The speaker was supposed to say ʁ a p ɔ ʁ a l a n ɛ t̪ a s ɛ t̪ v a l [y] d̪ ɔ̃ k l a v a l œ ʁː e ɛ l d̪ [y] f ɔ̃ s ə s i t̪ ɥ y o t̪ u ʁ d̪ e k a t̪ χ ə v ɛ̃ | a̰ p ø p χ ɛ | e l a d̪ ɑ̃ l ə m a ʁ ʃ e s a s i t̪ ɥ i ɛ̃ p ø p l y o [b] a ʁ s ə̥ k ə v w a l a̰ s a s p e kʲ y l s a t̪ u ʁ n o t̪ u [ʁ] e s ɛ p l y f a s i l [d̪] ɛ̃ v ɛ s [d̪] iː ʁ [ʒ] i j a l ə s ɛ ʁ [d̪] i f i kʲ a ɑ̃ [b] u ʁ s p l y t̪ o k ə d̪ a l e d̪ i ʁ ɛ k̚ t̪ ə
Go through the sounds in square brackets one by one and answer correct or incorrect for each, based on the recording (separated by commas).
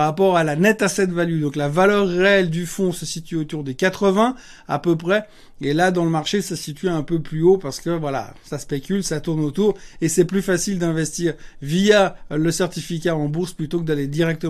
correct, correct, incorrect, correct, correct, incorrect, incorrect, incorrect, correct